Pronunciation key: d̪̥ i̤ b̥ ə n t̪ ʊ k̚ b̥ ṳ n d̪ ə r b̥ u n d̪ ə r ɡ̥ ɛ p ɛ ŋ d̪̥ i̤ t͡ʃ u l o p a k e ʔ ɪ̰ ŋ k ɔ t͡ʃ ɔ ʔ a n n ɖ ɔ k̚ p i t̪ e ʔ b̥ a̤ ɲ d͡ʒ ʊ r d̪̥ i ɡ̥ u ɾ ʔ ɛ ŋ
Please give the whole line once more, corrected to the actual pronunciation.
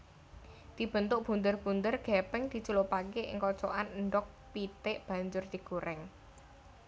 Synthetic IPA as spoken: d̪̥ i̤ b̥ ə n t̪ ʊ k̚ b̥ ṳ n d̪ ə r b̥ u n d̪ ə r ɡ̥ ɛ p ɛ ŋ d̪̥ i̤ t͡ʃ u l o p a k e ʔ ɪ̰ ŋ k ɔ t͡ʃ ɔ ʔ a n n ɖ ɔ k̚ p i t̪ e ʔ b̥ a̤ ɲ d͡ʒ ʊ r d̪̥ i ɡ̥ u ɾ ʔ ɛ ŋ

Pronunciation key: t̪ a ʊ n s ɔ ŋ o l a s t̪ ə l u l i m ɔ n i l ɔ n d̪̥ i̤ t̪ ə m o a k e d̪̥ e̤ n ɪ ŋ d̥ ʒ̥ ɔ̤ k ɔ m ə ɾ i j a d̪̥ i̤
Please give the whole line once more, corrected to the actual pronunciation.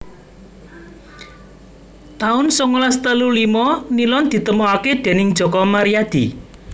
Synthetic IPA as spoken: t̪ a ʊ n s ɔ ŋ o l a s t̪ ə l u l i m ɔ n i l ɔ n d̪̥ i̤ t̪ ə m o a k e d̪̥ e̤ n ɪ ŋ d̥ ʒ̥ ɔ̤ k ɔ m a ɾ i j a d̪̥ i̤

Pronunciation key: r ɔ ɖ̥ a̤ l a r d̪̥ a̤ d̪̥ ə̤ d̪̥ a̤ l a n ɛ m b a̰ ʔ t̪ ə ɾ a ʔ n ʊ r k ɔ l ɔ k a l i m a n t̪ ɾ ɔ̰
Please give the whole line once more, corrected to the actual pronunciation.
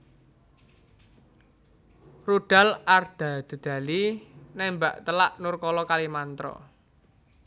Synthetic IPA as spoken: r u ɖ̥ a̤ l a r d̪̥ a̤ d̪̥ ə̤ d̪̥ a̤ l i n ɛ m b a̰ ʔ t̪ ə l a ʔ n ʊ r k ɔ l ɔ k a l i m a n t̪ ɾ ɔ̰

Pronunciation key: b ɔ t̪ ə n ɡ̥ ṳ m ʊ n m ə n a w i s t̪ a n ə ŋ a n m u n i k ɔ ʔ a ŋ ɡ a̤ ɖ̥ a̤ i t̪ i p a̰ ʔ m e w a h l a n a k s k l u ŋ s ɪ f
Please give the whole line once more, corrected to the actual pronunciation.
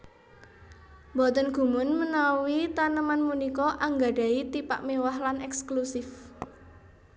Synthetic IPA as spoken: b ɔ t̪ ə n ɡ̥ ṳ m ʊ n m ə n a w i t̪ a n ə m a n m u n i k ɔ ʔ a ŋ ɡ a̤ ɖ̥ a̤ i t̪ i p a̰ ʔ m e w a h l a n ɛ k s k l u s ɪ f

